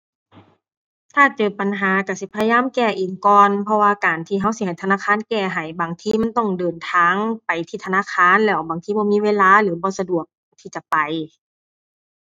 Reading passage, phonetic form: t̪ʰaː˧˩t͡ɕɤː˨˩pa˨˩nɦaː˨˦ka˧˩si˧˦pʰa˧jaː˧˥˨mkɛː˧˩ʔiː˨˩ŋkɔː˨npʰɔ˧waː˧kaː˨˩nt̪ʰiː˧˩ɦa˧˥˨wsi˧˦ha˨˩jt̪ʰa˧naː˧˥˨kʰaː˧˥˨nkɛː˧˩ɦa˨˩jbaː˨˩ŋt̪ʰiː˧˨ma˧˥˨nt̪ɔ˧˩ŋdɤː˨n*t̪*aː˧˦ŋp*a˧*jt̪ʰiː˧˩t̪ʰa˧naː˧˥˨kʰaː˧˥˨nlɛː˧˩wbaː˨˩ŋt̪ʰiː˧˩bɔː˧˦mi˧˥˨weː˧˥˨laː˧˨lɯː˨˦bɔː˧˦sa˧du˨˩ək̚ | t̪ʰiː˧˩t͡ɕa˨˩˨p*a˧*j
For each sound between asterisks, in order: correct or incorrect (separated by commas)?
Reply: incorrect, incorrect, incorrect